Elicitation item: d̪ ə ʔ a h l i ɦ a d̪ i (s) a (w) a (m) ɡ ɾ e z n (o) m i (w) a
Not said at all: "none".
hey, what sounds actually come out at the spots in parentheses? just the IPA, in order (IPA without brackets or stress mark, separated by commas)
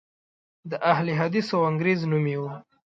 s, w, ŋ, u, w